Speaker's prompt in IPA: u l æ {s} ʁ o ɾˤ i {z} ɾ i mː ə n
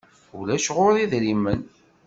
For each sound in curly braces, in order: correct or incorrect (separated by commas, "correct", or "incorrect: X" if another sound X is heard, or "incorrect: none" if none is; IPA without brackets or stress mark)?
incorrect: ʃ, incorrect: ð